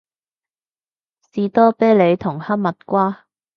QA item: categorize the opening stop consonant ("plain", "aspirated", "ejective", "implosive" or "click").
plain